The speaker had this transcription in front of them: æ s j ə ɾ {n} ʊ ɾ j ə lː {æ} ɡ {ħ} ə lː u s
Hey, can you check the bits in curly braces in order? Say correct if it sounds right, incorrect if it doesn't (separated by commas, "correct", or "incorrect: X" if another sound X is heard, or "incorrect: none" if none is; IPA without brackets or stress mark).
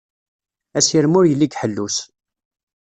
incorrect: m, incorrect: i, correct